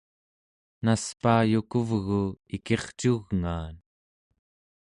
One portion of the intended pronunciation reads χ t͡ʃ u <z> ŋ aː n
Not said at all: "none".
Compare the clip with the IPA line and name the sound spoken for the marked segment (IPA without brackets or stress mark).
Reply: ɣ